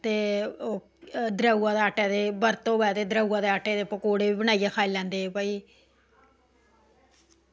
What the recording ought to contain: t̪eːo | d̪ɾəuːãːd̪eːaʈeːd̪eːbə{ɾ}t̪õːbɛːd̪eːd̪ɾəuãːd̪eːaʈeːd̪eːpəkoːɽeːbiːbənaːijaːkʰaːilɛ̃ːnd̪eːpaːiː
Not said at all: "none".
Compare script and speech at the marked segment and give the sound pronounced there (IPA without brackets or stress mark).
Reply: ɾ